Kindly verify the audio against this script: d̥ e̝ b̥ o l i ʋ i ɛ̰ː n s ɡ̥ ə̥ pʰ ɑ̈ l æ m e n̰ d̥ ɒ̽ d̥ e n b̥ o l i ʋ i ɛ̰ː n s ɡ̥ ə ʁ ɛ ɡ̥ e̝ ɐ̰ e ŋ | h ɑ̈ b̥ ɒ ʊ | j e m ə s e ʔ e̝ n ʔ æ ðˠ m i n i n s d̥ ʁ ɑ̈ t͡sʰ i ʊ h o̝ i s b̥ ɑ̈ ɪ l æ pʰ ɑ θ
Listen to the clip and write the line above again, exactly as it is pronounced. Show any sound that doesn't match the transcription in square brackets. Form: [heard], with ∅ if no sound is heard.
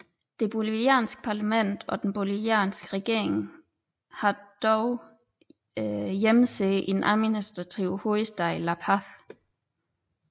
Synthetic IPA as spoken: d̥ e̝ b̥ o l i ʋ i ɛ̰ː n s ɡ̥ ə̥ pʰ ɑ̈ l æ m e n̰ d̥ ɒ̽ d̥ e n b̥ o l i ʋ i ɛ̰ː n s ɡ̥ ə ʁ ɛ ɡ̥ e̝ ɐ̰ e ŋ | h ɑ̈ [d̥] ɒ ʊ | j e m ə s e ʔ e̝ n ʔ æ ðˠ m i n i [∅] s d̥ ʁ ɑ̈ t͡sʰ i ʊ h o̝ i s [d̥] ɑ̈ ɪ l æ pʰ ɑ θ